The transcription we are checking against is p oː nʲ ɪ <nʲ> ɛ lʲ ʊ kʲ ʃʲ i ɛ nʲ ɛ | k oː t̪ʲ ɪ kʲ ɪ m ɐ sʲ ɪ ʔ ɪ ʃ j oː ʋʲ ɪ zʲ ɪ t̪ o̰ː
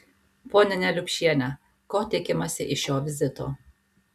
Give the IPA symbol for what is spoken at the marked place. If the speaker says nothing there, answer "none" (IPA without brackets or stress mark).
nʲ